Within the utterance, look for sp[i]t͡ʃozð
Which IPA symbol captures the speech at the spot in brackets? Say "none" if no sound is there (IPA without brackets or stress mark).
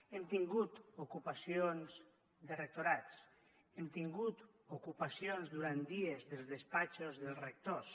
a